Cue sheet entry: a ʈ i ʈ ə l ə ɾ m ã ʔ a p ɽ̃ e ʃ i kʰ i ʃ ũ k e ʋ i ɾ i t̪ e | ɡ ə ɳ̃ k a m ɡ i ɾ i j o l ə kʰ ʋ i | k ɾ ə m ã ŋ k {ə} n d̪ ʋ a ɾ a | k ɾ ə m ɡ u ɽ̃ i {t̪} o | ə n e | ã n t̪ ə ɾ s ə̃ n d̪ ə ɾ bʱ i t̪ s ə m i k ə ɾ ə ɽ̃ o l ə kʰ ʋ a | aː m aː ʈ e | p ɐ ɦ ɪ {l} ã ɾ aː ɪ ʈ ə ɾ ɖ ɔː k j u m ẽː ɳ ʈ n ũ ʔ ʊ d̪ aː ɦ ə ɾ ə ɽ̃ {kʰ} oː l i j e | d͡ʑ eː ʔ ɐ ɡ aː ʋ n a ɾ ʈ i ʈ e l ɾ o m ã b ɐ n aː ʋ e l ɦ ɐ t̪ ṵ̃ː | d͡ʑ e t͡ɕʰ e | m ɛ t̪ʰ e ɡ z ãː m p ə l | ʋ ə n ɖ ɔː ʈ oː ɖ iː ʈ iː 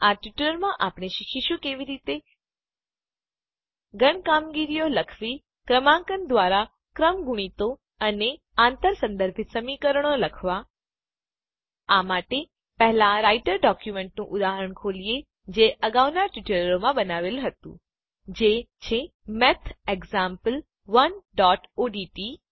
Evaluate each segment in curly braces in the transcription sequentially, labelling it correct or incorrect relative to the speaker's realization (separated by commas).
correct, correct, correct, correct